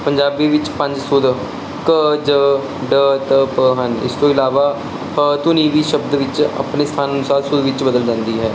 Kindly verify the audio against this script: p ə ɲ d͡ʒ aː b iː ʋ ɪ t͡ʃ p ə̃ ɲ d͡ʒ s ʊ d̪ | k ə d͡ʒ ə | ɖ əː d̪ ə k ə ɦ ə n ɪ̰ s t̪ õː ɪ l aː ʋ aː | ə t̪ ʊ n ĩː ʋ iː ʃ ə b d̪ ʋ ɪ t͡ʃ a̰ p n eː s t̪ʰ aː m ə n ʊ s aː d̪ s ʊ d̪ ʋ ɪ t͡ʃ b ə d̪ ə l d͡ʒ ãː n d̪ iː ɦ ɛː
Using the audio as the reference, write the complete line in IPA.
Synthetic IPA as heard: p ə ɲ d͡ʒ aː b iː ʋ ɪ t͡ʃ p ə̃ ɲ d͡ʒ s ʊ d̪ | k ə d͡ʒ ə | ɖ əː t̪ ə p ə ɦ ə n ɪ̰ s t̪ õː ɪ l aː ʋ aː | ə t̪ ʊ n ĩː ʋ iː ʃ ə b d̪ ʋ ɪ t͡ʃ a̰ p n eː s t̪ʰ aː n ə n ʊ s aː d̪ s ʊ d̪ ʋ ɪ t͡ʃ b ə d̪ ə l d͡ʒ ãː n d̪ iː ɦ ɛː